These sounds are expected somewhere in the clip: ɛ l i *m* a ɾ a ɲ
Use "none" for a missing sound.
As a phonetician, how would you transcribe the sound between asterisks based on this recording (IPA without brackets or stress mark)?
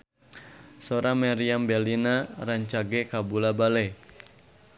n